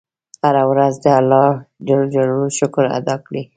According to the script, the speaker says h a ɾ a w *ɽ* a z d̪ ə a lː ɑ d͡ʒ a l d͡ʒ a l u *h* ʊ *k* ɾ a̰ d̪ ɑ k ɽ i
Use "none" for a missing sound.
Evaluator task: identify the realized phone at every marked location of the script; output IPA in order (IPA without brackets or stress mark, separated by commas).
ɾ, ʃ, k